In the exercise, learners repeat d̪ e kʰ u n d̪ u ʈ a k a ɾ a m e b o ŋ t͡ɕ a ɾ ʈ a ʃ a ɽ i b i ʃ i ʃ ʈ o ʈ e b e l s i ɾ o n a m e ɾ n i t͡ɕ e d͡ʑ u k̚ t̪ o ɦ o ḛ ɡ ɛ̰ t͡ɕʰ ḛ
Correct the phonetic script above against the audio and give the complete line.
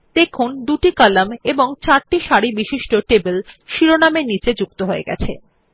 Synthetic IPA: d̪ e kʰ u n d̪ u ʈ i k a l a m e b o ŋ t͡ɕ a ɾ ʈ i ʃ a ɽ i b i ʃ i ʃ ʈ o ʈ e b e l ʃ i ɾ o n a m e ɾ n i t͡ɕ e d͡ʑ u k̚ t̪ o ɦ o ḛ ɡ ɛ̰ t͡ɕʰ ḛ